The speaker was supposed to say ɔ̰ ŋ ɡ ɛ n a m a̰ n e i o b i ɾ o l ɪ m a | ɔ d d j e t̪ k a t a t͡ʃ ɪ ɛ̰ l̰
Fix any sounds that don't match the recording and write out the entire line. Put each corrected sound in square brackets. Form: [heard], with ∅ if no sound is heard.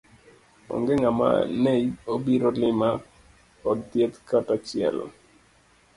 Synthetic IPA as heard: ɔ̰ ŋ ɡ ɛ [ŋ] a m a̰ n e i o b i ɾ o l ɪ m a | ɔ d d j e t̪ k a t a t͡ʃ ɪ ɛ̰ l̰

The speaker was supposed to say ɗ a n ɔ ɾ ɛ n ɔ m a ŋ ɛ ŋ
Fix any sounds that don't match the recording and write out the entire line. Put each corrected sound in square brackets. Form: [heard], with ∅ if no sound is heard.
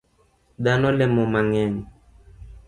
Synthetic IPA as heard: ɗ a n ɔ [l] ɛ [m] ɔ m a ŋ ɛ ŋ

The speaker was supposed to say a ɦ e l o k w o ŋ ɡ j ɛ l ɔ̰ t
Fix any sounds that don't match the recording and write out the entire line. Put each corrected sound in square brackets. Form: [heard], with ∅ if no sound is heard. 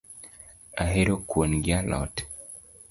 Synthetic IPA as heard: a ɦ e [ɾ] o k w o [n] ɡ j [a] l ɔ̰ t

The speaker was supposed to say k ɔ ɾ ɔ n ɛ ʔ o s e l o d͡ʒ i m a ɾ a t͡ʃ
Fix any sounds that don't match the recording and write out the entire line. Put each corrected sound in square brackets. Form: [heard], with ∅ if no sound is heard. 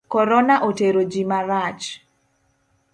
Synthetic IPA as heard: k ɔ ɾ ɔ n [a] ʔ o [t] e [ɾ] o d͡ʒ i m a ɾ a t͡ʃ

